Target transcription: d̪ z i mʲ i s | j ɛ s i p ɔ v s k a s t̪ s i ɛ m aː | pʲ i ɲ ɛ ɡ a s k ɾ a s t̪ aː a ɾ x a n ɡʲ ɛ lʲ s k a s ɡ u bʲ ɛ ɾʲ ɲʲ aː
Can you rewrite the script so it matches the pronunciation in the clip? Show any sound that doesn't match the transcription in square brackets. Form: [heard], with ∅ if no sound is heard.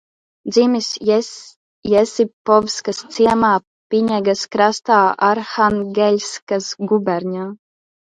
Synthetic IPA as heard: d̪ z i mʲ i s | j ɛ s i p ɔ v s k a s t̪ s i ɛ m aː | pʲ i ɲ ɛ ɡ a s k ɾ a s t̪ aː a ɾ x a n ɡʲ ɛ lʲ s k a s ɡ u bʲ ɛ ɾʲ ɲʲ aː